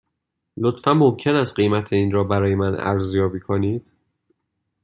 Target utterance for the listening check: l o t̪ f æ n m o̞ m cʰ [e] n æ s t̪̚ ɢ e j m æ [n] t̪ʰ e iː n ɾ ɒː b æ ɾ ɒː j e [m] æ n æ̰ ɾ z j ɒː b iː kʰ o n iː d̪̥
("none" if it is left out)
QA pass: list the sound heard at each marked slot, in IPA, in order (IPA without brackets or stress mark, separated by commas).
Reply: e, none, m